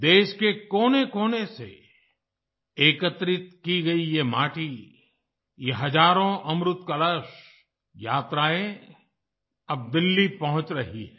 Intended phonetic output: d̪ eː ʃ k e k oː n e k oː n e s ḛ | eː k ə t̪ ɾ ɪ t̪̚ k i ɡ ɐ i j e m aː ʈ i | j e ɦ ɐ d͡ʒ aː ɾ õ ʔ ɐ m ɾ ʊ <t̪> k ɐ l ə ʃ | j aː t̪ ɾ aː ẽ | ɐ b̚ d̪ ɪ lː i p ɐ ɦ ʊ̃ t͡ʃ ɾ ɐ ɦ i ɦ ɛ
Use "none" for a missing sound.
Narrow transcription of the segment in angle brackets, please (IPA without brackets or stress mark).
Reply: t̪